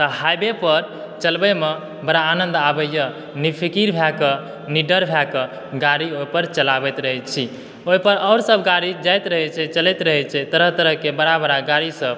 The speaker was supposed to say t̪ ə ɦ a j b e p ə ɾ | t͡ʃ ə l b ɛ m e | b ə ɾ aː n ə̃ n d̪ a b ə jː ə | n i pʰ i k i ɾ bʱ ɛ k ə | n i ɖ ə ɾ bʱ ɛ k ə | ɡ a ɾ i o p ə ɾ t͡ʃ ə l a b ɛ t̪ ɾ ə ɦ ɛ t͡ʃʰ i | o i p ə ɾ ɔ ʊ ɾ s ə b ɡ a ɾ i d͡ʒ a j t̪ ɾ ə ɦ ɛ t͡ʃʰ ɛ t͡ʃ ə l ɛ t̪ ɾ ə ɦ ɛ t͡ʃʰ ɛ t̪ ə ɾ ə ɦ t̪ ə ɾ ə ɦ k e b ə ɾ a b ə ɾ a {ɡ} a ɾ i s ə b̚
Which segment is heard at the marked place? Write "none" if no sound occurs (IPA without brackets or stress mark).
ɡ